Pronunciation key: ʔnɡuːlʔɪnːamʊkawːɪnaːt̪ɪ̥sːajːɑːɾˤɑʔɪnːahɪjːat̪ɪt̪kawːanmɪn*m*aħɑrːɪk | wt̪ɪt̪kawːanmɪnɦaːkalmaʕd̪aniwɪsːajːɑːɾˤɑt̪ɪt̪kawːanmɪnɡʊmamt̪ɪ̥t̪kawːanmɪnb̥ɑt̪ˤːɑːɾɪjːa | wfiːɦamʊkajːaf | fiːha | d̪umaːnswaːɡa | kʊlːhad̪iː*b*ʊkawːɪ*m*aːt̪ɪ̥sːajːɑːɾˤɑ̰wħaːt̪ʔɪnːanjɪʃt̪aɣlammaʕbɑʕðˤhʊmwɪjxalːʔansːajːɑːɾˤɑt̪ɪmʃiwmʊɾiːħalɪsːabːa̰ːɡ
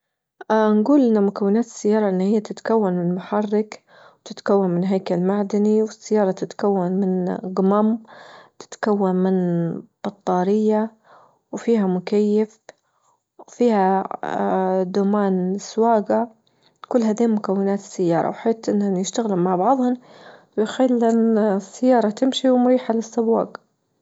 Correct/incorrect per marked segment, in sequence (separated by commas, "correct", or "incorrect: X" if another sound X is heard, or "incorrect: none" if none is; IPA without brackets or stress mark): correct, incorrect: m, incorrect: n